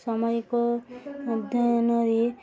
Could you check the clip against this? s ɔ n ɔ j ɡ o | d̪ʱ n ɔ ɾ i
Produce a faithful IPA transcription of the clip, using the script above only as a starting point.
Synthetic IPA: s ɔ m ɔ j k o | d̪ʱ n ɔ ɾ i